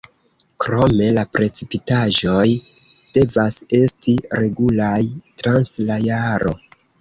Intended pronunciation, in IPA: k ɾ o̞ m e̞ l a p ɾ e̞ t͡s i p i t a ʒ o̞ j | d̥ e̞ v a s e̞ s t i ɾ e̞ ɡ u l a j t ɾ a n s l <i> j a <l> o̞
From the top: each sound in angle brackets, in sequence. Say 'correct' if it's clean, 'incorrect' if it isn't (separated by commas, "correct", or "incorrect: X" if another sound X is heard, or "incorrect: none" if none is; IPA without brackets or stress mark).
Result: incorrect: a, incorrect: ɾ